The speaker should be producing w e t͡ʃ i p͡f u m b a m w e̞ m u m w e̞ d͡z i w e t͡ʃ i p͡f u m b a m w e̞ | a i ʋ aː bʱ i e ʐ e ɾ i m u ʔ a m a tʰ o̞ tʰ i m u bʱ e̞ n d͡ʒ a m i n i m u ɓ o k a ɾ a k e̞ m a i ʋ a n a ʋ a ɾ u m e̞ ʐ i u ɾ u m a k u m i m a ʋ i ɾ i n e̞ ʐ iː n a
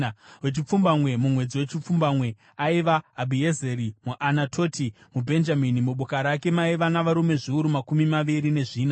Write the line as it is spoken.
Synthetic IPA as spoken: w e t͡ʃ i p͡f u m b a m w e̞ m u m w e̞ d͡z i w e t͡ʃ i p͡f u m b a m w e̞ | a i ʋ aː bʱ i e z e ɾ i m u ʔ a n a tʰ o̞ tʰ i m u bʱ e̞ n d͡ʒ a m i n i m u ɓ o k a ɾ a k e̞ m a i ʋ a n a ʋ a ɾ u m e̞ ʐ i u ɾ u m a k u m i m a ʋ i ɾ i n e̞ ʐ iː n a